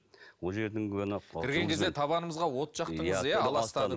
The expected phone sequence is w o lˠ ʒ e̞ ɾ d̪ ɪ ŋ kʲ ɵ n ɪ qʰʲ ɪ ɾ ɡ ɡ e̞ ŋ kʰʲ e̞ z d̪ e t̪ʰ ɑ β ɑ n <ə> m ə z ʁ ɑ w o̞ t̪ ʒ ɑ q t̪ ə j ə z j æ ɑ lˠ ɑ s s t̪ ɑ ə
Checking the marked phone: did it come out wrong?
no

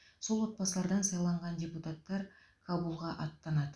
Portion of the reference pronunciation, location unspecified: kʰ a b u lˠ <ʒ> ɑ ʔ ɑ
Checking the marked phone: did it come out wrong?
yes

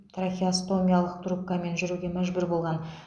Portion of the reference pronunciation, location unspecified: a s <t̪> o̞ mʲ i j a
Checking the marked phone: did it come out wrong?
no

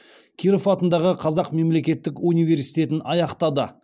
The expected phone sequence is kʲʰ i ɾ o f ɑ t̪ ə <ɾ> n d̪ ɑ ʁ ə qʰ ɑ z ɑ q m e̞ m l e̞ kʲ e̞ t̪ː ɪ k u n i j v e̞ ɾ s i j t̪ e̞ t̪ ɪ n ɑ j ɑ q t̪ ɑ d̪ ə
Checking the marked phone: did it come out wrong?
yes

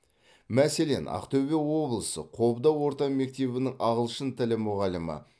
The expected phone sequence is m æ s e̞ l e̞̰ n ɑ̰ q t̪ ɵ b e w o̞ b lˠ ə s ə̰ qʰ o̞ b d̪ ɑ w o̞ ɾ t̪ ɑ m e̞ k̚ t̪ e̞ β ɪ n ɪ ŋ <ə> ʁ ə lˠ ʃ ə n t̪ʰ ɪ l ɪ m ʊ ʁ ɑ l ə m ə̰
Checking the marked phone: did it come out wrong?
yes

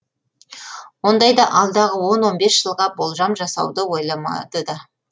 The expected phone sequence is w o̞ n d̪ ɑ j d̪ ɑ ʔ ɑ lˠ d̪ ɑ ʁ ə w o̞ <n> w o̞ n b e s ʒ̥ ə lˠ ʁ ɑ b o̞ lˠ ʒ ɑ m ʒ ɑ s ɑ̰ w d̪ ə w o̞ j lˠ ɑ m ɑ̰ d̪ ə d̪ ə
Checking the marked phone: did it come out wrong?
no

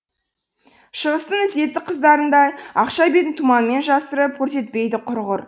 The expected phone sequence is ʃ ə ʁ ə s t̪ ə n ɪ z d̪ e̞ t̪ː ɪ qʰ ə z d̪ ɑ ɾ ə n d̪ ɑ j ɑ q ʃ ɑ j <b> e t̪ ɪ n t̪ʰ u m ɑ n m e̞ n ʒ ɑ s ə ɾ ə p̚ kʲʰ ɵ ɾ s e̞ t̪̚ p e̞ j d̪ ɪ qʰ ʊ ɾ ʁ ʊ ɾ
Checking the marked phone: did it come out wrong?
no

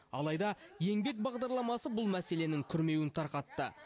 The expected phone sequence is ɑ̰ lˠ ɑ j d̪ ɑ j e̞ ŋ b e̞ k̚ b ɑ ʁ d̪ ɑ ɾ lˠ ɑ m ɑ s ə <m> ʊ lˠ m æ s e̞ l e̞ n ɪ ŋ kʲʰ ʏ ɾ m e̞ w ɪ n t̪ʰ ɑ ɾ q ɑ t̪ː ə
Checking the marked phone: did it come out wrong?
yes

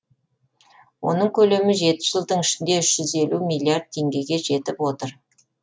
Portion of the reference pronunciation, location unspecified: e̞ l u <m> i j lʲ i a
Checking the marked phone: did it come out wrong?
no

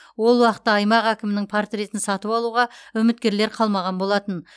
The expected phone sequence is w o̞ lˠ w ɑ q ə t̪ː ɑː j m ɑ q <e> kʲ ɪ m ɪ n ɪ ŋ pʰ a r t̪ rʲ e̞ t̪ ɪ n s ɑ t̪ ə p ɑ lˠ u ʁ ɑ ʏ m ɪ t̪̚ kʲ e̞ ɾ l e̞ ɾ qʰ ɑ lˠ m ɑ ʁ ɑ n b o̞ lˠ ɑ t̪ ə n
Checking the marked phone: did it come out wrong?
yes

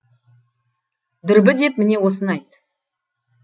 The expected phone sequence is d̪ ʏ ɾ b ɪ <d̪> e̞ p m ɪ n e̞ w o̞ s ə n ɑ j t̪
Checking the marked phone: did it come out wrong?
no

